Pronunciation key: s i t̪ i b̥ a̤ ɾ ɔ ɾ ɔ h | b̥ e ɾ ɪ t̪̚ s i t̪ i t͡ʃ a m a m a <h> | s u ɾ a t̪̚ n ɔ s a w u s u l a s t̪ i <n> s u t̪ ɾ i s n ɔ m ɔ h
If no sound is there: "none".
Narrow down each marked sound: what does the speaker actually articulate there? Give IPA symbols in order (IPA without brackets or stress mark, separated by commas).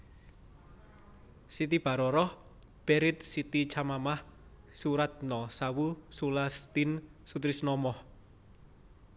h, n